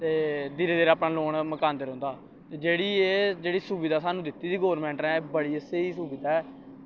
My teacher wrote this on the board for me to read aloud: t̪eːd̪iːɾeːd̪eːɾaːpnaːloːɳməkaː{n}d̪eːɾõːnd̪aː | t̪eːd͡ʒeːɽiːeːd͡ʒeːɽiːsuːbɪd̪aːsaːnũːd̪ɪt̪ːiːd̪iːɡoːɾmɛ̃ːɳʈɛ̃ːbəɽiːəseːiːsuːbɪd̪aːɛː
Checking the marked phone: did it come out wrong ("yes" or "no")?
no